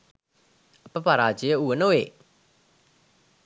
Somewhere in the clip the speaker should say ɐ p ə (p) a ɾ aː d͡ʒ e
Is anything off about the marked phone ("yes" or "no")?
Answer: no